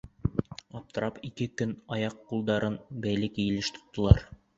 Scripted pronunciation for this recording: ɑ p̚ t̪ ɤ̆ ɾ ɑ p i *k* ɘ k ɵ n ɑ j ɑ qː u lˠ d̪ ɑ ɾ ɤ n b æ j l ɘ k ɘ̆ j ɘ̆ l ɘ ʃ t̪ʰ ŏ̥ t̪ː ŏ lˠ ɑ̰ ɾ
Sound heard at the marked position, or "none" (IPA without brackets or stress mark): k